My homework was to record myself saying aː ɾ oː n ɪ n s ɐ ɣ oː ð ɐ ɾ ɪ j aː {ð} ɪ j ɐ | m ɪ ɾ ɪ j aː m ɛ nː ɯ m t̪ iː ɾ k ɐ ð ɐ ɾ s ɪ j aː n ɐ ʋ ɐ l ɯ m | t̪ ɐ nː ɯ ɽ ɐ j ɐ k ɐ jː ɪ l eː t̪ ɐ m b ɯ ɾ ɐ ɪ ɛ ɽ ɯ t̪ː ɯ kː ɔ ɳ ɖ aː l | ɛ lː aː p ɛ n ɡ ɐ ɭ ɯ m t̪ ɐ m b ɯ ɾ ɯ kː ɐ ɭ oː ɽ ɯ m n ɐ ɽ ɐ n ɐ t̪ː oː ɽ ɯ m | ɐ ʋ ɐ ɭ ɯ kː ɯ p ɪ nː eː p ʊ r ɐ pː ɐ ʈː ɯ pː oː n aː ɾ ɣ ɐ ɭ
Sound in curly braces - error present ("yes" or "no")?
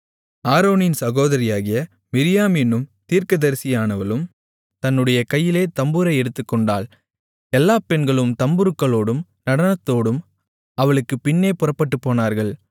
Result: yes